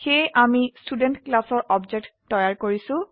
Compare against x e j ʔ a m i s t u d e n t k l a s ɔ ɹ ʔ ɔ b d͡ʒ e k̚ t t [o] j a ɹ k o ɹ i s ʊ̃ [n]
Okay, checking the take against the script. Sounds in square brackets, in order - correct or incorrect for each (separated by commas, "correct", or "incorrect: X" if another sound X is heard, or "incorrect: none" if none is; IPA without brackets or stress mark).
incorrect: ɔ, incorrect: none